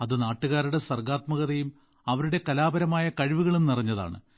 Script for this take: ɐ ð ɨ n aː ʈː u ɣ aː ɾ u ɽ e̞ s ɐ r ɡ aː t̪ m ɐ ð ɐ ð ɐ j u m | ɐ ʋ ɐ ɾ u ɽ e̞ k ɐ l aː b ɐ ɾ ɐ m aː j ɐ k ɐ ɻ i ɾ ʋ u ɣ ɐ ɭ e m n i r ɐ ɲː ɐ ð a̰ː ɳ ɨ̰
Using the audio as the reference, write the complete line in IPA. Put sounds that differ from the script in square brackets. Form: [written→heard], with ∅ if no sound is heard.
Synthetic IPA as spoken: ɐ ð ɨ n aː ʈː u ɣ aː ɾ u ɽ e̞ s ɐ r ɡ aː t̪ m ɐ [ð→ɣ] ɐ ð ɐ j u m | ɐ ʋ ɐ ɾ u ɽ e̞ k ɐ l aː b ɐ ɾ ɐ m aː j ɐ k ɐ ɻ i [ɾ→∅] ʋ u ɣ ɐ ɭ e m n i r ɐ ɲː ɐ ð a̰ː ɳ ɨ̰